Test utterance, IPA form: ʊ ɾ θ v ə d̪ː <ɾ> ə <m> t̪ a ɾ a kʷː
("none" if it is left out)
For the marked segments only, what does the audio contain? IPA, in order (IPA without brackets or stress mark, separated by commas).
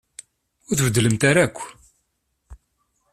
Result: l, m